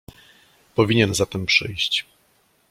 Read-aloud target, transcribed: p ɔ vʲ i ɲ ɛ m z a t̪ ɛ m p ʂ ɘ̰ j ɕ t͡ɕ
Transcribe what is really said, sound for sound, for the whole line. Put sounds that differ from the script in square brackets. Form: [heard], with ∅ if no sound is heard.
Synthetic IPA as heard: p ɔ vʲ i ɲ ɛ [n] z a t̪ ɛ m p ʂ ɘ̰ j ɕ t͡ɕ